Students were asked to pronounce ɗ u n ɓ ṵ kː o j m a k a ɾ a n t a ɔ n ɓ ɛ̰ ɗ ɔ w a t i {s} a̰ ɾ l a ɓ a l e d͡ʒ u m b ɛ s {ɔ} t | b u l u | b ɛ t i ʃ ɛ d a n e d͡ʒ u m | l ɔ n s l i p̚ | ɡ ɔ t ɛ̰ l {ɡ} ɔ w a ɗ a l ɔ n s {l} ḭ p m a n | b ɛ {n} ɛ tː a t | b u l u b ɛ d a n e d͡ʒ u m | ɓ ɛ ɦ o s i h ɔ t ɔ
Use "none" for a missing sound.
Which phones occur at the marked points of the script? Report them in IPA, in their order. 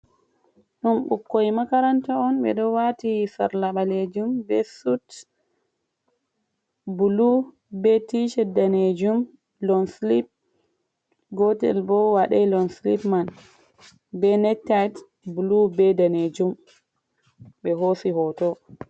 s, u, b, l, n

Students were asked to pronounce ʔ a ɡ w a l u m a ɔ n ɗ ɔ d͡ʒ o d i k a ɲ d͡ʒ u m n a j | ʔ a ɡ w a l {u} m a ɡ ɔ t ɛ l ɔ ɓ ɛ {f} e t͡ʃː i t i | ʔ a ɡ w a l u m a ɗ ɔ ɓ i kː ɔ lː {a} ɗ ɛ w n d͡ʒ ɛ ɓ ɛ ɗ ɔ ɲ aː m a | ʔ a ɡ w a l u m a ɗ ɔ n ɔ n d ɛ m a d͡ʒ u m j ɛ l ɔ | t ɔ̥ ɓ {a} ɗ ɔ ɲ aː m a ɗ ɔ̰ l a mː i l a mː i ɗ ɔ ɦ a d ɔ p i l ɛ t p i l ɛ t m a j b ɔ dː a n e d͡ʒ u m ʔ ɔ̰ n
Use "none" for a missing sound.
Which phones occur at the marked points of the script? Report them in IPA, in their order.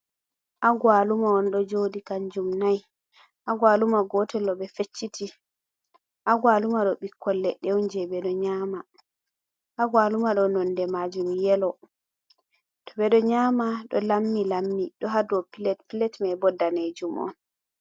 u, f, ɛ, ɛ

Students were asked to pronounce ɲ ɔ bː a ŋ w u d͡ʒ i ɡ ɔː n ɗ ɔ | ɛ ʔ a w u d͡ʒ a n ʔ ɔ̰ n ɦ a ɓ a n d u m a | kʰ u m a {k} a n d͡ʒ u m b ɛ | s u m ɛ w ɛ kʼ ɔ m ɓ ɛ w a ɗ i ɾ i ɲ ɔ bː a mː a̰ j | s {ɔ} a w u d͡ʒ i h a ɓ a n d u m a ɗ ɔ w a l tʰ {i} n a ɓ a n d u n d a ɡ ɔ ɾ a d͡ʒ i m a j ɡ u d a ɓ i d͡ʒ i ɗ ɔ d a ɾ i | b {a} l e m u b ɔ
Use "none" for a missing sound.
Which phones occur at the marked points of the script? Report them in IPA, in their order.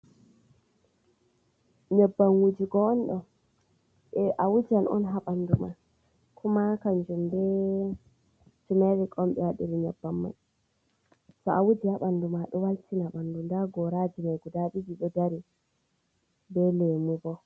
k, ɔ, i, ɛ

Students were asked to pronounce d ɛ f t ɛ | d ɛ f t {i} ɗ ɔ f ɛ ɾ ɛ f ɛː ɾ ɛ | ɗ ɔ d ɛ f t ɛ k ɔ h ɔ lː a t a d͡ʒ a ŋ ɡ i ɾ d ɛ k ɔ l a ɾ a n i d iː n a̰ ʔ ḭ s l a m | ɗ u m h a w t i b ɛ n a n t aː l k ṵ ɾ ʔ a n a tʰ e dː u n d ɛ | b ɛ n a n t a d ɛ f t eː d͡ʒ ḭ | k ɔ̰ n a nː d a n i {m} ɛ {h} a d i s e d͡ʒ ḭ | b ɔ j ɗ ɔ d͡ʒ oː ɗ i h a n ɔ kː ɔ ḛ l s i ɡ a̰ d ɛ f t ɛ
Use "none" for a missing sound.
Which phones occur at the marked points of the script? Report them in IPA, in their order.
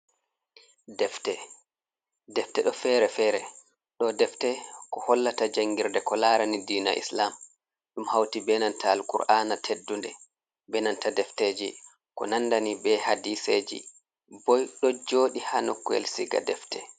ɛ, b, h

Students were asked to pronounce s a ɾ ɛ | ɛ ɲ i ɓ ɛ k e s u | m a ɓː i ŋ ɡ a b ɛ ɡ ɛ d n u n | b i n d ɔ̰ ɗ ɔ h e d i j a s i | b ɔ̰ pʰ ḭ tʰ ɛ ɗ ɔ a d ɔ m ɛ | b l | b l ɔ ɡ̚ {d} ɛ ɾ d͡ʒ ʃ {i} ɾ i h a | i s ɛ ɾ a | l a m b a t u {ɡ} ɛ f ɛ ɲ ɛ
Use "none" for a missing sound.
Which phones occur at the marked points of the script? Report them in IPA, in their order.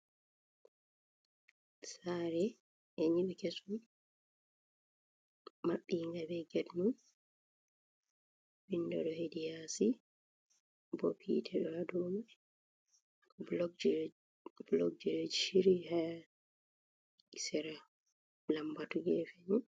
d͡ʒ, i, ɡ

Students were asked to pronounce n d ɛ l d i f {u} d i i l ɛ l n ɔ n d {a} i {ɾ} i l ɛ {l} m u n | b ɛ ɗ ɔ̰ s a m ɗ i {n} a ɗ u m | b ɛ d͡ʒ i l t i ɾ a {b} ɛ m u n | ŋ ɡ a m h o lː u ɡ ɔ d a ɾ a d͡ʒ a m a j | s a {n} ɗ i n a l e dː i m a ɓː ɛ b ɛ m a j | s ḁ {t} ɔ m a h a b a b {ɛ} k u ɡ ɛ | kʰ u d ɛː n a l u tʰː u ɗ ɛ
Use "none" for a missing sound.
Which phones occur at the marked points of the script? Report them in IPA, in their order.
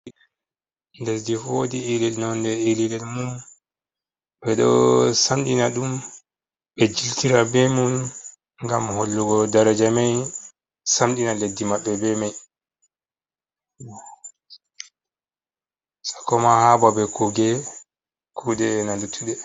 o, ɛ, l, l, n, b, m, k, ɛ

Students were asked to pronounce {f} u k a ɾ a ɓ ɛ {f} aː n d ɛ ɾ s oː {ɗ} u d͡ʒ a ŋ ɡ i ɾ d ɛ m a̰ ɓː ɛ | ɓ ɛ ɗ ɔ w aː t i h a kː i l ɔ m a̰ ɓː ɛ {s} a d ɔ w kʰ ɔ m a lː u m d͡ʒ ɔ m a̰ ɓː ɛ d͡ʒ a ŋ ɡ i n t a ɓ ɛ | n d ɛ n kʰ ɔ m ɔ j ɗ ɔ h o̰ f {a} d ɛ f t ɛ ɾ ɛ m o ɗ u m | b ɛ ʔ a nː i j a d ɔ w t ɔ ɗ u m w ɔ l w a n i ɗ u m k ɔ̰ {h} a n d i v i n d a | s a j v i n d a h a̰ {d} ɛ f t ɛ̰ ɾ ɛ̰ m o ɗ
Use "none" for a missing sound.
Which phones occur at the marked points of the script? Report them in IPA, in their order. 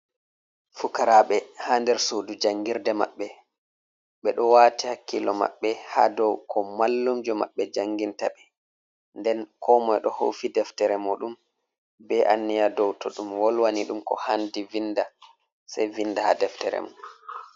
f, h, d, h, i, h, d

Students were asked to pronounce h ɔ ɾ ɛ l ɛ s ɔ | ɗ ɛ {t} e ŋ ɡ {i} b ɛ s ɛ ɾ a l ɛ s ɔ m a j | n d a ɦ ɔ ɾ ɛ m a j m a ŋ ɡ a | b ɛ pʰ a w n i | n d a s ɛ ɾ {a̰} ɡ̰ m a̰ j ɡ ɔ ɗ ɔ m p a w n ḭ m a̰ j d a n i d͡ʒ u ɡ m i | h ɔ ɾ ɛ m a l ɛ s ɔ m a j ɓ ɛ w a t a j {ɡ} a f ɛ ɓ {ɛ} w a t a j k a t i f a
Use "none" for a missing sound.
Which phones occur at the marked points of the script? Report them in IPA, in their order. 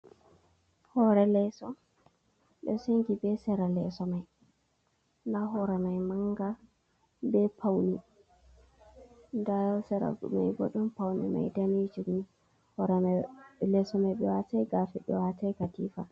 s, i, a̰, ɡ, ɛ

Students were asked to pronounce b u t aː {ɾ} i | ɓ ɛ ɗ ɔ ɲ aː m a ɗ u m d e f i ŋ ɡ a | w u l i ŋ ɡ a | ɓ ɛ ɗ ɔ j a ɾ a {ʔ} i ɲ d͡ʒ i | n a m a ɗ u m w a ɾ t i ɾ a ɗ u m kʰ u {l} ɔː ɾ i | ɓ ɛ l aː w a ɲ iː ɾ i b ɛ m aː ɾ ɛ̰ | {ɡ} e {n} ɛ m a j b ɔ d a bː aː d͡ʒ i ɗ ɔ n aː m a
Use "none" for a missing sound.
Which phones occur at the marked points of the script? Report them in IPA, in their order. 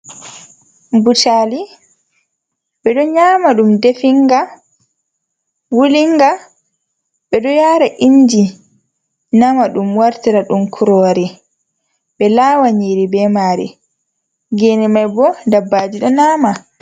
l, ʔ, ɾ, ɡ, n

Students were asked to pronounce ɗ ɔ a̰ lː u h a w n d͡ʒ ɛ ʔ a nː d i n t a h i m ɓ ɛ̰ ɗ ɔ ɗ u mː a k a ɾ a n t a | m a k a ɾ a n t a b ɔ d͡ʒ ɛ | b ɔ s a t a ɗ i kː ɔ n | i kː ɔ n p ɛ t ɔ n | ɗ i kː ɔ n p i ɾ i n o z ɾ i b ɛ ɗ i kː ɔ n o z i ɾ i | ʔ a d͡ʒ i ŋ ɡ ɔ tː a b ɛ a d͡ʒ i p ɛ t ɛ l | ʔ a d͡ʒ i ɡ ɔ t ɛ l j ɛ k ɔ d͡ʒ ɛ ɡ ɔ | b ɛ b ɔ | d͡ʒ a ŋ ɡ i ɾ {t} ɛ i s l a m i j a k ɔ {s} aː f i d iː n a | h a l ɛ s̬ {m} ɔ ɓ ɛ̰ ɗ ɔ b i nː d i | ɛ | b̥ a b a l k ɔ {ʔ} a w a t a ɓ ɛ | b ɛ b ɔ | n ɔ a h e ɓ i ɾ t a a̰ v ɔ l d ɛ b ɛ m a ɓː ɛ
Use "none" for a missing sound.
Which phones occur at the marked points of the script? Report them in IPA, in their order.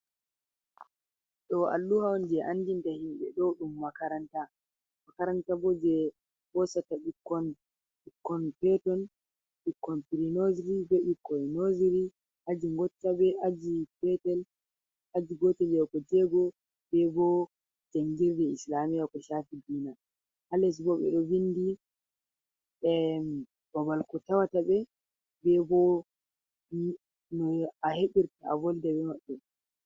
d, ʃ, b, t

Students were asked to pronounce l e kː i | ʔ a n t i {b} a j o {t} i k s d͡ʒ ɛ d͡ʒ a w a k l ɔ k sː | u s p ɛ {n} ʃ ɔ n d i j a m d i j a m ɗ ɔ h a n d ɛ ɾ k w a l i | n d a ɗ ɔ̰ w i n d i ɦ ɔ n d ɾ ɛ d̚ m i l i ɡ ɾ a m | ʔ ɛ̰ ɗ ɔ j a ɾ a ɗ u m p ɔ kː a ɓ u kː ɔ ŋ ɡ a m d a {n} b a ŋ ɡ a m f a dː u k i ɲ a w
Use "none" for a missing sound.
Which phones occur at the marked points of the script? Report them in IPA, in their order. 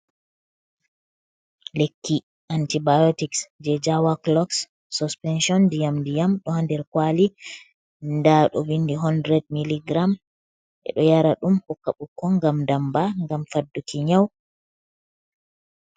b, t, n, m

